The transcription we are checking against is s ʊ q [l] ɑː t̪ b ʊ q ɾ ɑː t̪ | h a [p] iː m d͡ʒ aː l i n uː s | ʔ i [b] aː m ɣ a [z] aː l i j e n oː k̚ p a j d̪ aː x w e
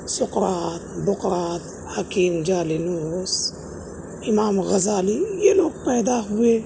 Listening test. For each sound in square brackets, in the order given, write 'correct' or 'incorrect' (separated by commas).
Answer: incorrect, incorrect, incorrect, correct